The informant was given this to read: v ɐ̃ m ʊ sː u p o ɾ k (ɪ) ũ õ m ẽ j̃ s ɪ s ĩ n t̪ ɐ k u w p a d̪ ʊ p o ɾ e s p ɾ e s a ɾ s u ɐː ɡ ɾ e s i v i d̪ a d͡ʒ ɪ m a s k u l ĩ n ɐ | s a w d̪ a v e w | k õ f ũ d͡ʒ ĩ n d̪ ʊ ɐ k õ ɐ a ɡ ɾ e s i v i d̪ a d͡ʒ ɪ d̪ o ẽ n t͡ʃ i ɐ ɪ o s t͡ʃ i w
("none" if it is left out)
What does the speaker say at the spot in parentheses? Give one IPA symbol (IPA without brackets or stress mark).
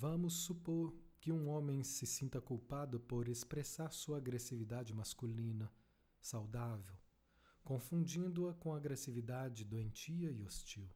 ɪ